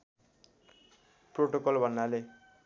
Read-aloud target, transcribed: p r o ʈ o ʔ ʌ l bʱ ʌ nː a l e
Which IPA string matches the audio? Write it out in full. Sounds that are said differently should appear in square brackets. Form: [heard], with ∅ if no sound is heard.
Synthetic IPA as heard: p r o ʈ o [k] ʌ l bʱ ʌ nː a l e

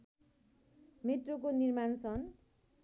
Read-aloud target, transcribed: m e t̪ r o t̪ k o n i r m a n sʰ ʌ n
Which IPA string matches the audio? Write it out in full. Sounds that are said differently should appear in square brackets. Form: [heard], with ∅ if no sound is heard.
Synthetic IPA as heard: m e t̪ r o [∅] k o n i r m a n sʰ ʌ n

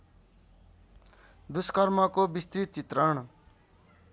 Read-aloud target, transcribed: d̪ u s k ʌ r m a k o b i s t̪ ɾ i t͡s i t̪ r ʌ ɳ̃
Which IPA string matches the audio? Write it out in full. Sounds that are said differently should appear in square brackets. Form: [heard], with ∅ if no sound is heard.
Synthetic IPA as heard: d̪ u s k ʌ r m [ʌ] k o b i s t̪ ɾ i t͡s i t̪ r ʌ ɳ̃

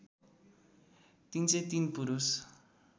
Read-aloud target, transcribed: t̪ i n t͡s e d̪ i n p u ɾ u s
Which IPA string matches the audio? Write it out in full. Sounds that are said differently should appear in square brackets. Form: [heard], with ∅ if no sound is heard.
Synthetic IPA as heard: t̪ i n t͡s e [t̪] i n p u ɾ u s

